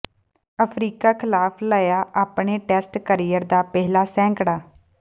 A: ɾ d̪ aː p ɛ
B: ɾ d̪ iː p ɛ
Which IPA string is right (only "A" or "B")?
A